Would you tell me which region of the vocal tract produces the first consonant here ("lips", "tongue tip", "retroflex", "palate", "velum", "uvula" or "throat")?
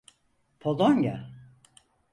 lips